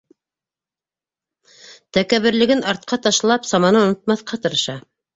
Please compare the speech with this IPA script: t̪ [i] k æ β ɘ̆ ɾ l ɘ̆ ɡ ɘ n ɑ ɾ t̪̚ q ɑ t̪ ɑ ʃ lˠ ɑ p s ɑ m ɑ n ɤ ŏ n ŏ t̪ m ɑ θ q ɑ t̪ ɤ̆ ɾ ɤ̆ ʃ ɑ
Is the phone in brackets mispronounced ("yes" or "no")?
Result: yes